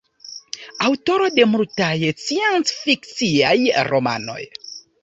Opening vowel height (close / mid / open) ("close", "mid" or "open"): open